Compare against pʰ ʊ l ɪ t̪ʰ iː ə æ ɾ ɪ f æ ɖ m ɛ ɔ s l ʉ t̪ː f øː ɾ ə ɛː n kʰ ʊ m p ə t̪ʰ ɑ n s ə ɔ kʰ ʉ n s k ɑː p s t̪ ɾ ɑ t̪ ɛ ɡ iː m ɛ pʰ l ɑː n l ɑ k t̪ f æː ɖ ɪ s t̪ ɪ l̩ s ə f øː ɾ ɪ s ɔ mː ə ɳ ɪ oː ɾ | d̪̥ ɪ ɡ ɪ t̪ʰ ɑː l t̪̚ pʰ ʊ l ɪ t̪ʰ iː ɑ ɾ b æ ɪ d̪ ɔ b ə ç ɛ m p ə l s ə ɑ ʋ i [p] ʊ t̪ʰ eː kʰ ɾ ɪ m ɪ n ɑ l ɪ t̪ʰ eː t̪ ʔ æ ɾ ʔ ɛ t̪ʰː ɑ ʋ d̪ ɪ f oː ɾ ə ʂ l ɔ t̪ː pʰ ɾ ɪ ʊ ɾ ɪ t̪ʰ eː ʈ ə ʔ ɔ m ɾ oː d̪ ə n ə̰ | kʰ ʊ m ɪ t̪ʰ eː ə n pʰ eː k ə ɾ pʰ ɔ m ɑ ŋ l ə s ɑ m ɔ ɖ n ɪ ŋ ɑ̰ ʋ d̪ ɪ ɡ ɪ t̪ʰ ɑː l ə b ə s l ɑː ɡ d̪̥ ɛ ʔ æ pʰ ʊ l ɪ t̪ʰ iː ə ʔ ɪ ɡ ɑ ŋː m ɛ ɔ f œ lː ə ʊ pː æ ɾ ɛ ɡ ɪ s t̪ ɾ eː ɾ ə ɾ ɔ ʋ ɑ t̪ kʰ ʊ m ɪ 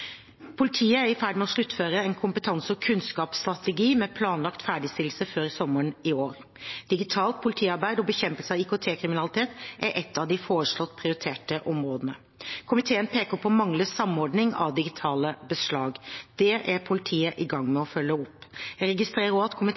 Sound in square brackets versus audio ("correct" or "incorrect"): incorrect